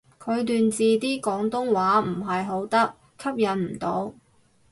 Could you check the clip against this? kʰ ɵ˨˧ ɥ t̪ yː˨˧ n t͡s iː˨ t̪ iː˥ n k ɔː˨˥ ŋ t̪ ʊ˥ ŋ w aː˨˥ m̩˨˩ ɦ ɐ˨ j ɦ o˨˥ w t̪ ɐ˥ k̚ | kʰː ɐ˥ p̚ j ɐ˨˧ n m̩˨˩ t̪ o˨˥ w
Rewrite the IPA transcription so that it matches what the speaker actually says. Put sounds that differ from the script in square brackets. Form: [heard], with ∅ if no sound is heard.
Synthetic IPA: kʰ ɵ˨˧ ɥ t̪ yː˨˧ n t͡s iː˨ t̪ iː˥ [∅] k ɔː˨˥ ŋ t̪ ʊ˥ ŋ w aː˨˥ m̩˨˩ ɦ ɐ˨ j ɦ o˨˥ w t̪ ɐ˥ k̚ | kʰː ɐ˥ p̚ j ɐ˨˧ n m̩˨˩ t̪ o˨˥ w